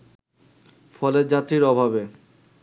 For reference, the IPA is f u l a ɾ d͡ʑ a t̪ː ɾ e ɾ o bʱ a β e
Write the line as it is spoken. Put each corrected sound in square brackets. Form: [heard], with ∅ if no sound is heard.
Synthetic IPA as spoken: f [ɔ] l [e] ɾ d͡ʑ a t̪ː ɾ [i] ɾ [ɔ] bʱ a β e